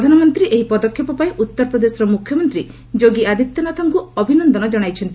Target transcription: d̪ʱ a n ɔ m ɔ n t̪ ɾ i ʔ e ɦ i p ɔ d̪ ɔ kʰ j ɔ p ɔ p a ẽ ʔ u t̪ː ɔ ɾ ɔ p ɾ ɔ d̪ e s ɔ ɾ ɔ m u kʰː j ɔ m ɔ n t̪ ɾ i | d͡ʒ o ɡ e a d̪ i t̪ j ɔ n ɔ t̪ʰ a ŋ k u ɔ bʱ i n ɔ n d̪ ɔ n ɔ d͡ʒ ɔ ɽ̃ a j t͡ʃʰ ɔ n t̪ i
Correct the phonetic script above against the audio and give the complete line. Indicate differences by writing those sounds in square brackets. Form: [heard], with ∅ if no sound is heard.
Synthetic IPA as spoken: d̪ʱ a n ɔ m ɔ n t̪ ɾ i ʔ e ɦ i p ɔ d̪ ɔ kʰ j ɔ p ɔ p a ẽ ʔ u t̪ː ɔ ɾ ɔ p ɾ ɔ d̪ e s ɔ ɾ ɔ m u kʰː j ɔ m ɔ n t̪ ɾ i | d͡ʒ o ɡ [i] a d̪ i t̪ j ɔ n ɔ t̪ʰ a ŋ k u ɔ bʱ i n ɔ n d̪ ɔ n ɔ d͡ʒ ɔ ɽ̃ a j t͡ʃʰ ɔ n t̪ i